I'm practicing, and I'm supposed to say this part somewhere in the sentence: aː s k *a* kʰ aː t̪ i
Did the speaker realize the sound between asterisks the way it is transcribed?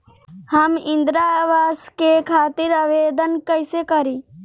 no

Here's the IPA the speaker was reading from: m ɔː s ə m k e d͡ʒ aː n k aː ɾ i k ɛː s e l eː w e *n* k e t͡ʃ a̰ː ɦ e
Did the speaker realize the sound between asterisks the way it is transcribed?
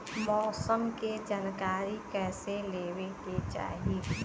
no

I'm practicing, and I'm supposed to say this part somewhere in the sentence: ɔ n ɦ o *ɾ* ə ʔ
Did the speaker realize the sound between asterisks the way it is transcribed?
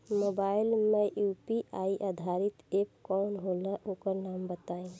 no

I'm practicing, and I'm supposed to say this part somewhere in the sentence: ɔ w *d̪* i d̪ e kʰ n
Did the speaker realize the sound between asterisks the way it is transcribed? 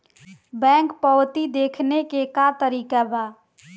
no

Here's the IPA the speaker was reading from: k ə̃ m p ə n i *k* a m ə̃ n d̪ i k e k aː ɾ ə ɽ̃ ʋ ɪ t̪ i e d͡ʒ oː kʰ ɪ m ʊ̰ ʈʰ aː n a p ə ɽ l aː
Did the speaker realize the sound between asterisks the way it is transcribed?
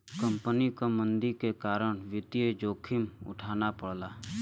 yes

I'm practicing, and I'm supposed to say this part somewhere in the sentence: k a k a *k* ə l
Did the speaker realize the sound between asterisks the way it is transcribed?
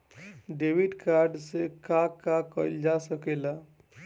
yes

